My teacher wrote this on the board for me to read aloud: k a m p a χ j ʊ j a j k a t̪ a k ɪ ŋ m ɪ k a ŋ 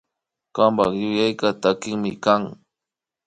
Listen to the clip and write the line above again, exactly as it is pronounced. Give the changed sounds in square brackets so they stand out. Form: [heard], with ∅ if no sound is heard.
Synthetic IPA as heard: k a m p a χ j ʊ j a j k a t̪ a k ɪ ŋ m ɪ k a ŋ